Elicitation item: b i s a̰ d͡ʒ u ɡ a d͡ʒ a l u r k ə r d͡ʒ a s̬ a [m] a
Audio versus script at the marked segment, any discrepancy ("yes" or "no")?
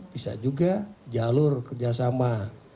no